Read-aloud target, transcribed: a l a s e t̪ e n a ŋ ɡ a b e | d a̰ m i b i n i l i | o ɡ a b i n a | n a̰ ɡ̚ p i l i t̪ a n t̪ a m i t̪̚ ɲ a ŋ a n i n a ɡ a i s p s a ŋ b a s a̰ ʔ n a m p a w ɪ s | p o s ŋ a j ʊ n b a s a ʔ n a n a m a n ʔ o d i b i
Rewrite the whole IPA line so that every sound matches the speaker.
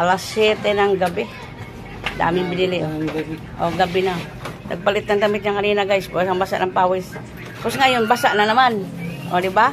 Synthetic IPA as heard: a l a s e t̪ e n a ŋ ɡ a b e | d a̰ m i b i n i l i | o ɡ a b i n a | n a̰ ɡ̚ p a l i t̪ a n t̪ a m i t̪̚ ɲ a ŋ a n i n a ɡ a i s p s a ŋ b a s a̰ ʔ n a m p a w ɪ s | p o s ŋ a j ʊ n b a s a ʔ n a n a m a n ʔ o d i b a